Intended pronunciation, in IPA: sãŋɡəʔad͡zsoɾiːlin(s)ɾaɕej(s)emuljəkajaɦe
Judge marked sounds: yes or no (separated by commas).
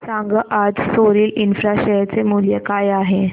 no, no